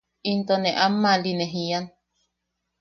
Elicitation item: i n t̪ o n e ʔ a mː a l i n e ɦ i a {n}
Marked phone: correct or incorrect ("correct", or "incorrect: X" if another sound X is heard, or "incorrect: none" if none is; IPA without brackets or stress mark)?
correct